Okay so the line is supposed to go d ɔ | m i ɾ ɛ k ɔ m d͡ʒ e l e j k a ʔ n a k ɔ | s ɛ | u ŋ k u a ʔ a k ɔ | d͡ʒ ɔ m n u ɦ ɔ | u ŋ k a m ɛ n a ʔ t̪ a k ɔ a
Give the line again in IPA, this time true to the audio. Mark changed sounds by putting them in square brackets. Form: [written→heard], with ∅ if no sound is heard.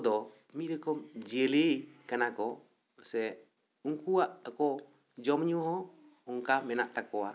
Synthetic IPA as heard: d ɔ | m i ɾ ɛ k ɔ m d͡ʒ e l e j k a [ʔ→∅] n a k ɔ | s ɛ | u ŋ k u a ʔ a k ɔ | d͡ʒ ɔ m [n→ɲ] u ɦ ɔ | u ŋ k a m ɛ n a ʔ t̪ a k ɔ a